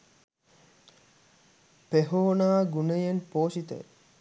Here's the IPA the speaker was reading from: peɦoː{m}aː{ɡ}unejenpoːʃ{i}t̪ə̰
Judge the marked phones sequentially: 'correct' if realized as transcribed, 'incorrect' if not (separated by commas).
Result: incorrect, correct, correct